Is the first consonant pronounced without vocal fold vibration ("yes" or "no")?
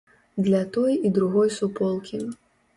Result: no